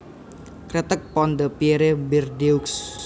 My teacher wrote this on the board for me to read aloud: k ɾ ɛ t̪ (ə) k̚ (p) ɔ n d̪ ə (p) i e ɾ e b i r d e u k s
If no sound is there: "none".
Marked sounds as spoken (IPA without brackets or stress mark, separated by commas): ə, p, p